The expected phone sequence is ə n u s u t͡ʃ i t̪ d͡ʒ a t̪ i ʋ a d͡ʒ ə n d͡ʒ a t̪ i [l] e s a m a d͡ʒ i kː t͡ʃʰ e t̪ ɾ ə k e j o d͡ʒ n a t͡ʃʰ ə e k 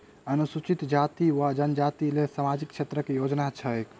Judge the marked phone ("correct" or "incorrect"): correct